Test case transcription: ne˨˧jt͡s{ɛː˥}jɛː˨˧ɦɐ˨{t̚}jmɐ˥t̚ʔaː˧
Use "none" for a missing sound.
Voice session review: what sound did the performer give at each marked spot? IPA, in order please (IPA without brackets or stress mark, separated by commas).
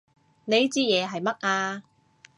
iː˥, none